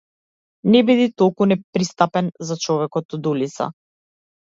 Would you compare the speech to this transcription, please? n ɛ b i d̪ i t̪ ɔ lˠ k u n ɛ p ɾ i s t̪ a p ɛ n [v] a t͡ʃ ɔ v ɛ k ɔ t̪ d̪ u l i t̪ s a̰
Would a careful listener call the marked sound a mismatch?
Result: yes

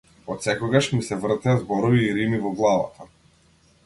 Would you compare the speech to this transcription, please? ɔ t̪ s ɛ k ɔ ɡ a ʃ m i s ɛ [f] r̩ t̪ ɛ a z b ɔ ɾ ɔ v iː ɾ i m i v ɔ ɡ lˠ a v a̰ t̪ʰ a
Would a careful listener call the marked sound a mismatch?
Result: yes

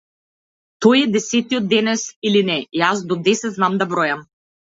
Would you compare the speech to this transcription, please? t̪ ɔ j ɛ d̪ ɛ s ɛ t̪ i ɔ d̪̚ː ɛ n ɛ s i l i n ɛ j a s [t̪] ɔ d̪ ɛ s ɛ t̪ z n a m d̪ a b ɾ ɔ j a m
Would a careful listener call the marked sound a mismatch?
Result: yes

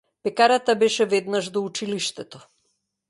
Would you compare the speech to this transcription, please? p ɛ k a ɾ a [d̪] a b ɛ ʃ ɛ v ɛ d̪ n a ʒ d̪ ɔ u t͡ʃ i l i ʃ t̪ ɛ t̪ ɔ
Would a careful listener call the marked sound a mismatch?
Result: yes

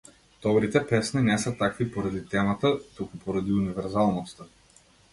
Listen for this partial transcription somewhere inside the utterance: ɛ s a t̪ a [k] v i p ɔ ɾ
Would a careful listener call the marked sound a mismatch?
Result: no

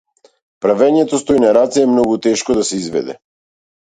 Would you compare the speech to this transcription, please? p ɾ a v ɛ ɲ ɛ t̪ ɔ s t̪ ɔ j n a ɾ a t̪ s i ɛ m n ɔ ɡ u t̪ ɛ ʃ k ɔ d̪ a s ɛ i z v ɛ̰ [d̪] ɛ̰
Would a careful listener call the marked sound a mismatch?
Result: no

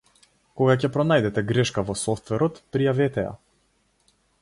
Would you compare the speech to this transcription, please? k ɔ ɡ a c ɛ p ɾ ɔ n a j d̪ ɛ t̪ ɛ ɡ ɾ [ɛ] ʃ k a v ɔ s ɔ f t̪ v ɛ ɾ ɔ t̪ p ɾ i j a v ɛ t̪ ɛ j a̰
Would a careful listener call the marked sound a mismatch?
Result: no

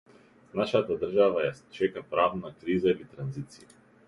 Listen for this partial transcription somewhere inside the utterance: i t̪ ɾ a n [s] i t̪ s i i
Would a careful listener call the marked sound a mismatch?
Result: yes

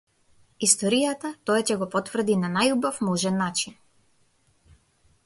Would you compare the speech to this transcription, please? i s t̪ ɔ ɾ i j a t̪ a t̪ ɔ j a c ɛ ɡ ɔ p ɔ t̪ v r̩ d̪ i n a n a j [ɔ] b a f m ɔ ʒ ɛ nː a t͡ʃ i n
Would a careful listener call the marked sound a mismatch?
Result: yes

